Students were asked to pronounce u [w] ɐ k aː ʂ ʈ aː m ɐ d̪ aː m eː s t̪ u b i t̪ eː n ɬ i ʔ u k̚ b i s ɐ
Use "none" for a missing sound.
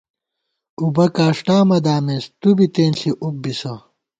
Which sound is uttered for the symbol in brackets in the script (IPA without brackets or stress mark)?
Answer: b